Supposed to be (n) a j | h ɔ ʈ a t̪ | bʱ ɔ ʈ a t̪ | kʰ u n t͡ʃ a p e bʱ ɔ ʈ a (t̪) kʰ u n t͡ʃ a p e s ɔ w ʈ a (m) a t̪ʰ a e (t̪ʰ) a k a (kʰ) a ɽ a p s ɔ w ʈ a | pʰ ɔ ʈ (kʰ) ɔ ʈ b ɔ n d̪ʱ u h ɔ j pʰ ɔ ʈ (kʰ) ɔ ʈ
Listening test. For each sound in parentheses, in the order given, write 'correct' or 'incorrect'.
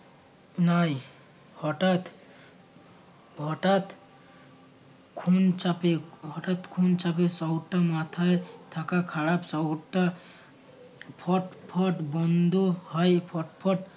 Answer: correct, correct, correct, correct, correct, incorrect, incorrect

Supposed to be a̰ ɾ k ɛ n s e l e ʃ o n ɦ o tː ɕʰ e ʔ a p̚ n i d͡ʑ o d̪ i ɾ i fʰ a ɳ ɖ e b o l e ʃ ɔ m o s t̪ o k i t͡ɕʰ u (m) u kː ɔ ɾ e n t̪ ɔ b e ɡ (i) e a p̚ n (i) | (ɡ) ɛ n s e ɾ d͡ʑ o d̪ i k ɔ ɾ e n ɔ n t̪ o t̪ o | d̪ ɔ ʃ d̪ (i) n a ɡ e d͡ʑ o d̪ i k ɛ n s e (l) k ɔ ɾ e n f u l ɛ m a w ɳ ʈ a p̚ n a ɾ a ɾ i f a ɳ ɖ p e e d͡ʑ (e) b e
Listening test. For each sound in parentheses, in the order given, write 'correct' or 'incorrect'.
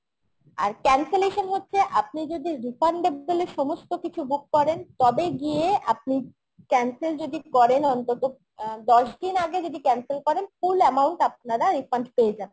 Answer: incorrect, correct, correct, incorrect, correct, correct, incorrect

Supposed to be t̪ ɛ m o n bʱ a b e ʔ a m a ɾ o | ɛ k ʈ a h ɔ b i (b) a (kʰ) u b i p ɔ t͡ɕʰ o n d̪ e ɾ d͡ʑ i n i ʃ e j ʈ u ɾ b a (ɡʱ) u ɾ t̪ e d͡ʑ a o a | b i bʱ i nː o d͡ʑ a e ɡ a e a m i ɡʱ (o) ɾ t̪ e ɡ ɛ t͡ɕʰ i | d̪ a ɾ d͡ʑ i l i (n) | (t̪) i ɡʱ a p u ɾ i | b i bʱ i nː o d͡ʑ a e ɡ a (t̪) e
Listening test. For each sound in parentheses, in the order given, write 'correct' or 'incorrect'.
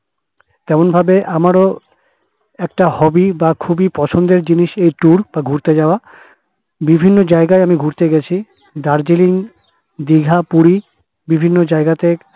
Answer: correct, correct, correct, incorrect, incorrect, incorrect, correct

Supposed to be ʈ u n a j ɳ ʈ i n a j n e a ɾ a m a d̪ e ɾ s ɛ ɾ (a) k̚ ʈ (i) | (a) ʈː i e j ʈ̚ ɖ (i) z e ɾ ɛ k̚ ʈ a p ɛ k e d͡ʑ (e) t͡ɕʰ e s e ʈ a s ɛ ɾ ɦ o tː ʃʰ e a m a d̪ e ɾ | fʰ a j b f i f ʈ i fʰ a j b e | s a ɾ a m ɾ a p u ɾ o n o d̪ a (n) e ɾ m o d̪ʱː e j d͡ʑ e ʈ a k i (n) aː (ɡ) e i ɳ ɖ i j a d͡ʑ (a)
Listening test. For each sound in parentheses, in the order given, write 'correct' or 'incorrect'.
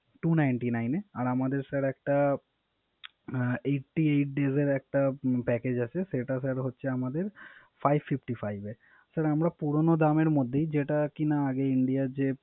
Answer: incorrect, incorrect, incorrect, incorrect, incorrect, incorrect, correct, correct, incorrect

